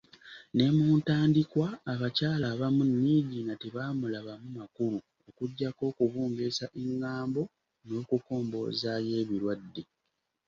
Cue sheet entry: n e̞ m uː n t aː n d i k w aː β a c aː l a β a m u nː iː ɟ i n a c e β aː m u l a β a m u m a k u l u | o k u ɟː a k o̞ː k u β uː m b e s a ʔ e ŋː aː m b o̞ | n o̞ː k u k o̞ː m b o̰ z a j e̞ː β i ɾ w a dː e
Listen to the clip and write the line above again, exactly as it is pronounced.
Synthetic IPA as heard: n e̞ m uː n t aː n d i k w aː β a c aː l a β a m u nː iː ɟ i n a t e β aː m u l a β a m u m a k u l u | o k u ɟː a k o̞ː k u β uː m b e s a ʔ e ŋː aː m b o̞ | n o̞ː k u k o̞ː m b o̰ z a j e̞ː β i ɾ w a dː e